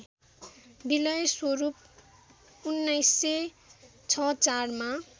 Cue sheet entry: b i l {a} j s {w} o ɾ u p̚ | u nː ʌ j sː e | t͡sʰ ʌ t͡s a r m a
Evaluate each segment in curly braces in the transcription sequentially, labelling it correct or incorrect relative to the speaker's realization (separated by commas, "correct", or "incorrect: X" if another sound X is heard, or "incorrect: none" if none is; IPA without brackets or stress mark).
incorrect: ʌ, correct